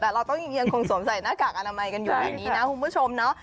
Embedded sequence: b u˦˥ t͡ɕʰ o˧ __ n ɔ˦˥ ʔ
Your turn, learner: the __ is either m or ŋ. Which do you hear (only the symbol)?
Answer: m